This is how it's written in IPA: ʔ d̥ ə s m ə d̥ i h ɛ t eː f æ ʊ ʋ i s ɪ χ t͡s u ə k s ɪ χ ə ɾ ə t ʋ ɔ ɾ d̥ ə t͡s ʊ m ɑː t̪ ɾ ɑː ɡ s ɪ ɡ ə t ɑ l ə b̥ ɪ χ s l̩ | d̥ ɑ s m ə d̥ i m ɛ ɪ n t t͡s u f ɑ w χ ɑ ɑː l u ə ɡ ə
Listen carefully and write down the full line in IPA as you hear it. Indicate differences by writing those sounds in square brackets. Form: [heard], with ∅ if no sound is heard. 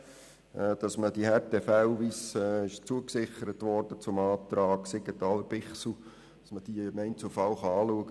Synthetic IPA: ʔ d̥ [ɑ] s m ə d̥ i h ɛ t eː f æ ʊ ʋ i s ɪ [ʃ] t͡s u ə k s ɪ χ ə ɾ ə t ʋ ɔ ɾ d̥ ə t͡s ʊ m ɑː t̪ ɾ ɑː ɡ s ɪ ɡ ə t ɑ l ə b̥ ɪ χ s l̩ | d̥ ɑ s m ə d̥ i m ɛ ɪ n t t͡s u f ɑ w χ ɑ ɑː l u ə ɡ ə

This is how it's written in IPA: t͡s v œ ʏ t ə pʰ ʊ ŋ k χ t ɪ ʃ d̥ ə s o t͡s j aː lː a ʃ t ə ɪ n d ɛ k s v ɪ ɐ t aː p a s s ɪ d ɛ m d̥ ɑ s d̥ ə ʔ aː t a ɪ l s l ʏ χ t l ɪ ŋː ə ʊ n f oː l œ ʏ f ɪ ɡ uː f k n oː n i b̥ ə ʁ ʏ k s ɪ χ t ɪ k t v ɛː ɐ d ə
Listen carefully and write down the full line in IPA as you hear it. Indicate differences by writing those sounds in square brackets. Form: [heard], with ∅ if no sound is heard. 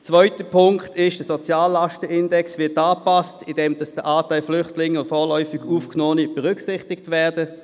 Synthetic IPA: t͡s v œ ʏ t ə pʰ ʊ ŋ k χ t ɪ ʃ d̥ ə s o t͡s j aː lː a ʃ t ə ɪ n d ɛ k s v ɪ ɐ t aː p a s [t] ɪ d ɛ m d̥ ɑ s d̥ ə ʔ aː t a ɪ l [f] l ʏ χ t l ɪ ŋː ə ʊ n f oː l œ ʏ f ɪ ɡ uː f k n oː n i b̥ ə ʁ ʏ k s ɪ χ t ɪ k t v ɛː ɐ d ə

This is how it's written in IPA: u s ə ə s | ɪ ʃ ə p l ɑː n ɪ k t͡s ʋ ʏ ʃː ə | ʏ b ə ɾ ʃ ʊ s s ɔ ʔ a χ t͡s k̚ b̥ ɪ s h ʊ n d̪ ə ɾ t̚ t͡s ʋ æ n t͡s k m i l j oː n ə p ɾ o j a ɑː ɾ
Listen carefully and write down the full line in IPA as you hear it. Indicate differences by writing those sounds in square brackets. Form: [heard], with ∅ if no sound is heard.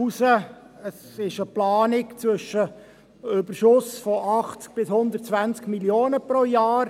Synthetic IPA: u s ə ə s | ɪ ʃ ə p l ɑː n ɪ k t͡s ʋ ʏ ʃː ə | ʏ b ə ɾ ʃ ʊ s [f] ɔ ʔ [ɑ] χ t͡s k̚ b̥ ɪ s h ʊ n d̪ ə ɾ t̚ t͡s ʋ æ n t͡s k m i l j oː n ə p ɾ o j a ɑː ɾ

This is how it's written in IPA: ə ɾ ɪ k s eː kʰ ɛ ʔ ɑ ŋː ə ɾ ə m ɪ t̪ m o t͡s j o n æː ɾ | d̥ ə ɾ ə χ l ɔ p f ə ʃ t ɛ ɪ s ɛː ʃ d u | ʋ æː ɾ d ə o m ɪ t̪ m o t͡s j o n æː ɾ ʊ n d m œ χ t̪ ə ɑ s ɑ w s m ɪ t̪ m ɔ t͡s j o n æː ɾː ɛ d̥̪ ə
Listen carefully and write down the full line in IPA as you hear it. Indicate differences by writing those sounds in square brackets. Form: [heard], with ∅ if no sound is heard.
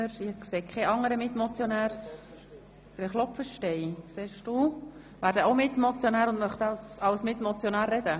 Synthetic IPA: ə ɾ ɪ k s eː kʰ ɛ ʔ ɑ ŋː ə ɾ ə m ɪ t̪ m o t͡s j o n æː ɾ | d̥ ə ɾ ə χ l ɔ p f ə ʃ t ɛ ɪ s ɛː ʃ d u | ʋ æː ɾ d ə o m ɪ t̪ m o t͡s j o n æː ɾ ʊ n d m œ χ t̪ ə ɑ s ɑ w s m ɪ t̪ m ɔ t͡s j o n æː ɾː ɛ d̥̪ ə

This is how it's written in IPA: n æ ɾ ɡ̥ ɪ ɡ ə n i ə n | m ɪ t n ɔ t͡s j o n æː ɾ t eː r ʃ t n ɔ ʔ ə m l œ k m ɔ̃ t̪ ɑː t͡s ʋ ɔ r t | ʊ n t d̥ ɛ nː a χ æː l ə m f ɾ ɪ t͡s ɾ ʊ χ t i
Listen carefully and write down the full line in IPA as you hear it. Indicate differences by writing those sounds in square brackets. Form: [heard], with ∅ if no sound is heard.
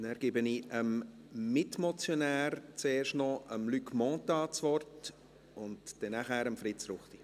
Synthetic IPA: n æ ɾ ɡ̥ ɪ [b] ə n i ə [m] | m ɪ t [m] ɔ t͡s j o n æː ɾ [t͡s] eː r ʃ t n ɔ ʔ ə m l [y] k m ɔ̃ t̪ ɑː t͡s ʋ ɔ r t | ʊ n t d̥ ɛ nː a χ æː [ɾ] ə m f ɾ ɪ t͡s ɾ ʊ χ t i

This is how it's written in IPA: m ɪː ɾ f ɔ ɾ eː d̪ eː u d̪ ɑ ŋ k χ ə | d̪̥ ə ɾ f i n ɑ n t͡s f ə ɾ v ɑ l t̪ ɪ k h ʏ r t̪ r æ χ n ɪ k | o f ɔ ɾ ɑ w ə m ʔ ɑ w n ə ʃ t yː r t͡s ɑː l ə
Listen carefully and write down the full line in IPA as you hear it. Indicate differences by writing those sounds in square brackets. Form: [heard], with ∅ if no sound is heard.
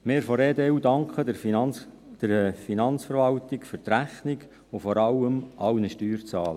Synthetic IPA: m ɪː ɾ f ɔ ɾ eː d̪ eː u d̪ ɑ ŋ k χ ə | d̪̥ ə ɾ f i n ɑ n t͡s f ə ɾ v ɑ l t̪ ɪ k [f] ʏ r t̪ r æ χ n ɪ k | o f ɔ ɾ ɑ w ə m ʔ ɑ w n ə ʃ t yː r t͡s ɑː l ə

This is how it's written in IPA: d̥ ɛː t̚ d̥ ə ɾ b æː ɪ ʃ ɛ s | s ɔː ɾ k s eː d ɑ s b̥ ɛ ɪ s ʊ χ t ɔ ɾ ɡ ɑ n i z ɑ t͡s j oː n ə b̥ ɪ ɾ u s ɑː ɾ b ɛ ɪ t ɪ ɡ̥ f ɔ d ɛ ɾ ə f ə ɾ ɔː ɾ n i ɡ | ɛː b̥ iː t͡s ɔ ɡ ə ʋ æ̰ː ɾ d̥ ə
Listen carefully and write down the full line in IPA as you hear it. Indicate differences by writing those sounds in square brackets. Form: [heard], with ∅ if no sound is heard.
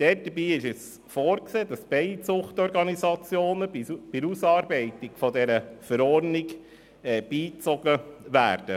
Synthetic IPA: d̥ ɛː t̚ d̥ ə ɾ b [iː] ɪ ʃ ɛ s | [f] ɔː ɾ k s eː d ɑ s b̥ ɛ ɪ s ʊ χ t ɔ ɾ ɡ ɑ n i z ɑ t͡s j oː n ə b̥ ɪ ɾ u s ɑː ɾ b ɛ ɪ t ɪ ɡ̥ f ɔ d ɛ ɾ ə f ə ɾ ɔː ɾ n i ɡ | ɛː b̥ iː t͡s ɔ ɡ ə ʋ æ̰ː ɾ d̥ ə

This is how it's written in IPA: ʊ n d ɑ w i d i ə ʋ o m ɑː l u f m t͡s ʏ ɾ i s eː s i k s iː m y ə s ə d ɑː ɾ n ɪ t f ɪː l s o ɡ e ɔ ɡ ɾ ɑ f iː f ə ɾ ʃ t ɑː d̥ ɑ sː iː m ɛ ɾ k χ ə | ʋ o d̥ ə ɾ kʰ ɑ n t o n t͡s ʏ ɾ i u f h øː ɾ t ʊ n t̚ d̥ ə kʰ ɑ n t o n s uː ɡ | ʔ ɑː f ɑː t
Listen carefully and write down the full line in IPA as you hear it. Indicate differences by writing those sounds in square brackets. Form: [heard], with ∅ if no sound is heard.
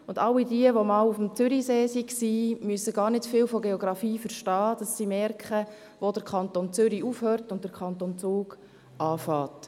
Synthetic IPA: ʊ n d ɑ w i d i ə ʋ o m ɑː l u f m t͡s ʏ ɾ i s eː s i k s iː m y ə s ə [ɡ] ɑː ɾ n ɪ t f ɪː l [f] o ɡ e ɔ ɡ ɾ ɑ f iː f ə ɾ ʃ t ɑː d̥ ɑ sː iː m ɛ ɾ k χ ə | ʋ o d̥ ə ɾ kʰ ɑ n t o n t͡s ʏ ɾ i u f h øː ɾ t ʊ n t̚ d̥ ə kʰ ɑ n t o n [t͡s] uː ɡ | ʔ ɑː f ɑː t

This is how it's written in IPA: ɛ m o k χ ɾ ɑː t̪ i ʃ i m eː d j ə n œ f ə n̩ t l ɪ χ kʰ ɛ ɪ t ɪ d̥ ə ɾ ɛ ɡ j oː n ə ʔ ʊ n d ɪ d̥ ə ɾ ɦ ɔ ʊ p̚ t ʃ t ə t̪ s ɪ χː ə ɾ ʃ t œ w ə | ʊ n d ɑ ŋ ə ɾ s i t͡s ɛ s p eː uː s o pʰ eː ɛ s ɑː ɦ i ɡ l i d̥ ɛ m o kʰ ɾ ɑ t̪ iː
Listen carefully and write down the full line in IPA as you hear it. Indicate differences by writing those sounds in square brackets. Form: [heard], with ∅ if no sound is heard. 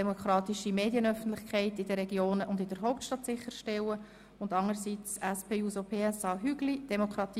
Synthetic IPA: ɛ m o k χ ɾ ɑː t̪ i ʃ i m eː d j ə n œ f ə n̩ t l ɪ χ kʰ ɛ ɪ t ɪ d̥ ə ɾ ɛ ɡ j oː n ə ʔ ʊ n d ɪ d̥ ə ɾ ɦ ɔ ʊ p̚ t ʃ t [ɑ] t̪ s ɪ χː ə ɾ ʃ t [ɛ] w ə | ʊ n d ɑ ŋ ə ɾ s i t͡s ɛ s p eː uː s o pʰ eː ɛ s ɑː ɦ [y] ɡ l i d̥ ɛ m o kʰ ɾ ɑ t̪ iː

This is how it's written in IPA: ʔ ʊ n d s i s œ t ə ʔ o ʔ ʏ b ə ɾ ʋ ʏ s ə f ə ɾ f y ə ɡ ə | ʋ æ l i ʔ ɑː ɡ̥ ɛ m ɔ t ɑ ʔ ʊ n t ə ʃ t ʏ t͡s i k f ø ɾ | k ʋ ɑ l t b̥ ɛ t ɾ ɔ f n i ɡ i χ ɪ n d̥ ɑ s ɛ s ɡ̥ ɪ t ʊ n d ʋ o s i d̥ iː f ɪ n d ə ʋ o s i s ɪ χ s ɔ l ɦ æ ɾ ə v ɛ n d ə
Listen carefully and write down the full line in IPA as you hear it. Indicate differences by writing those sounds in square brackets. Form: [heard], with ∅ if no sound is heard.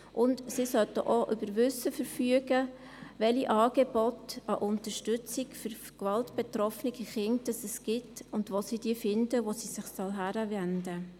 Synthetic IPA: ʔ ʊ n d s i s œ t ə ʔ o ʔ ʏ b ə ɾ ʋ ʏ s ə f ə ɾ f y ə ɡ ə | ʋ [ɛ] l i ʔ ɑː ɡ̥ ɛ [b] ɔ t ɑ ʔ ʊ n t ə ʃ t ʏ t͡s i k f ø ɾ | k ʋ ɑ l t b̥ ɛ t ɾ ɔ f n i ɡ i χ ɪ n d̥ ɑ s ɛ s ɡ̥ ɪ t ʊ n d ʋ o s i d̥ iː f ɪ n d ə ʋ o s i s ɪ χ s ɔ l ɦ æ ɾ ə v ɛ n d ə

